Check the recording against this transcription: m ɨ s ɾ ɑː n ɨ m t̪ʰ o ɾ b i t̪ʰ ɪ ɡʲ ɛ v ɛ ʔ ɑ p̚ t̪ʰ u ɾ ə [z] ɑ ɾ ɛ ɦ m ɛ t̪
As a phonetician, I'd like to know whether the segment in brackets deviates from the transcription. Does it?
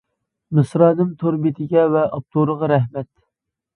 yes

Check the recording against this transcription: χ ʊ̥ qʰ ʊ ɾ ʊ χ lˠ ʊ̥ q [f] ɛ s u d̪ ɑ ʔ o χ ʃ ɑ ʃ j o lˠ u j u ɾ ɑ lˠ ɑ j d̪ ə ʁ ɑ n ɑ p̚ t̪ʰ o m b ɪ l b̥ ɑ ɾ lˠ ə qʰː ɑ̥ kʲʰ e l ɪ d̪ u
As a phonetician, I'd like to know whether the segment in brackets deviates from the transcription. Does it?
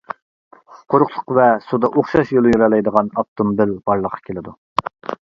yes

